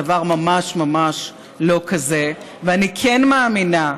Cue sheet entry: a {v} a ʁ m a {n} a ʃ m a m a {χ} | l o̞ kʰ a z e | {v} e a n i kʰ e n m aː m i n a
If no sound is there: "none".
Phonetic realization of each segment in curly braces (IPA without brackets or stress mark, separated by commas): v, m, ʃ, v